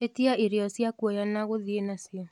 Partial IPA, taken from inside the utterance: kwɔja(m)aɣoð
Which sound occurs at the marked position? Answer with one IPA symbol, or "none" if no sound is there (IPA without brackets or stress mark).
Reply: n